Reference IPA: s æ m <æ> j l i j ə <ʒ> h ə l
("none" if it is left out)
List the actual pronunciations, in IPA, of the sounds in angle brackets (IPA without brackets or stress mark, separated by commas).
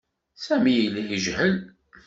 i, ʒ